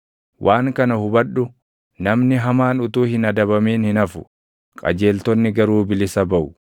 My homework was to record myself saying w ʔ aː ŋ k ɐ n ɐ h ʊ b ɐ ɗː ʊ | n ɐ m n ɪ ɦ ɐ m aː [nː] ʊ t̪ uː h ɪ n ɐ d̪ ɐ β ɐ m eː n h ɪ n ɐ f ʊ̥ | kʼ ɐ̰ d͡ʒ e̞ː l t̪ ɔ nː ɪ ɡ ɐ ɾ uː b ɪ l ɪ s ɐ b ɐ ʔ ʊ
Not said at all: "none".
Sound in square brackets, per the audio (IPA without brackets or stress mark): n